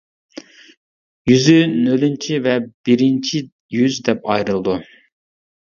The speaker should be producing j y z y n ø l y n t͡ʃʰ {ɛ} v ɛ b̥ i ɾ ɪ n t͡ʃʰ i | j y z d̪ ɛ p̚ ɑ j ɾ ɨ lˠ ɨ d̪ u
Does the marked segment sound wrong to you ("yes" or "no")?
yes